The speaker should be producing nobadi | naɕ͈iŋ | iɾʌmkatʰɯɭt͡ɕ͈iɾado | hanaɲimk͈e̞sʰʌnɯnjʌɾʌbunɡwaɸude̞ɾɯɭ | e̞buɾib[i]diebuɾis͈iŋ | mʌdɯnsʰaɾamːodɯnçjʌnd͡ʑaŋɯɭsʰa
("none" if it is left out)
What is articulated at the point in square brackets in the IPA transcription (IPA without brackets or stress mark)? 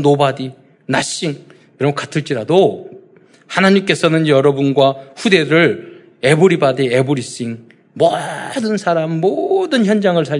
a